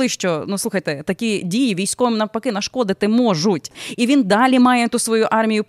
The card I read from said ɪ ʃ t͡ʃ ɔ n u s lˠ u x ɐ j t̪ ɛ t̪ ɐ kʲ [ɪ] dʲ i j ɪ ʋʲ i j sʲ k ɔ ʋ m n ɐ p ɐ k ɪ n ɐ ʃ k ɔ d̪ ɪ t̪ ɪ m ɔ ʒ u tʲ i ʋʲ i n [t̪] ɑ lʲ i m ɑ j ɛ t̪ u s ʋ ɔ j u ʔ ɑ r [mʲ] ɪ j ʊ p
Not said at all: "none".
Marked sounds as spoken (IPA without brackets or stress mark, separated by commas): i, d̪, mʲ